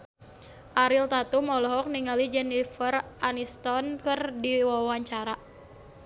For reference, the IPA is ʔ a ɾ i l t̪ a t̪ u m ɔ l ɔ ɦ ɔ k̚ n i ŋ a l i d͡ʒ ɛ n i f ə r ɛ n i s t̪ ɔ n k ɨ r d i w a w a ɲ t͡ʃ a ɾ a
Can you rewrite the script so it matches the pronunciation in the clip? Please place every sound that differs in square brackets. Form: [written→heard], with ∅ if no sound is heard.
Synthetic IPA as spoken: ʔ a ɾ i l t̪ a t̪ u m ɔ l ɔ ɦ ɔ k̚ n i ŋ a l i d͡ʒ ɛ n i f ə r [ɛ→a] n i s t̪ ɔ n k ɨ r d i w a w a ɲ t͡ʃ a ɾ a

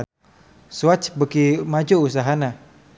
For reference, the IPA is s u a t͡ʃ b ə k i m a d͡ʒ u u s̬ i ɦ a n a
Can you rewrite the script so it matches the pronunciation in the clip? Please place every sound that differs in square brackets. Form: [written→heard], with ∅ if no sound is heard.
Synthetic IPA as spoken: s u a t͡ʃ b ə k i m a d͡ʒ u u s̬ [i→a] ɦ a n a

